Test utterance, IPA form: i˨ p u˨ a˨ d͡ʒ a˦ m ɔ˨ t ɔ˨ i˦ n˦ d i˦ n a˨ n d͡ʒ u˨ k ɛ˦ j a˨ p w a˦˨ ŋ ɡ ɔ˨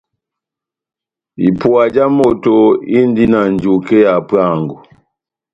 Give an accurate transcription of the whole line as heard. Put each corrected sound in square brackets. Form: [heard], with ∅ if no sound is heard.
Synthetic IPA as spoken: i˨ p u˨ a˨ d͡ʒ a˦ m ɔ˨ t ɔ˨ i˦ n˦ d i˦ n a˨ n d͡ʒ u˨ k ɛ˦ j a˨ p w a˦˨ ŋ ɡ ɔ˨